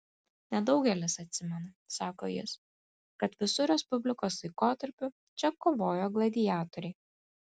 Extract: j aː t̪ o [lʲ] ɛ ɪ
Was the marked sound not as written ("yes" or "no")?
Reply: yes